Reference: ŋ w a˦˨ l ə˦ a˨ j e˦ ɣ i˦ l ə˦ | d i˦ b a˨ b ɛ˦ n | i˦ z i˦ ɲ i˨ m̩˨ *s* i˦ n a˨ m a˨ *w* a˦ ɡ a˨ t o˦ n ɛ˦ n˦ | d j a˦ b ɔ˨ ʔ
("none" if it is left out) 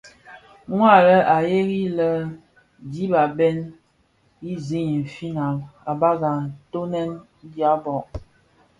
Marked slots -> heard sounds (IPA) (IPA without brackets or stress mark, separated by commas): f, b